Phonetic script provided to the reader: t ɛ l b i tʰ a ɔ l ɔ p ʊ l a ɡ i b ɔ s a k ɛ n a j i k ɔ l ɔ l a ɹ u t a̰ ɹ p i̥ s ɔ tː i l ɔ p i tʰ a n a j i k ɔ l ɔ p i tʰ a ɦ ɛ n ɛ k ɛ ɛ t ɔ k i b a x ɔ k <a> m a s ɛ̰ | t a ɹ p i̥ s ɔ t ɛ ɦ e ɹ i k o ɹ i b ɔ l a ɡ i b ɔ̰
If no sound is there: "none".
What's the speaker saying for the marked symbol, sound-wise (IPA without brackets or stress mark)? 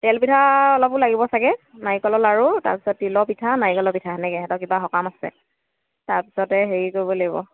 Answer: a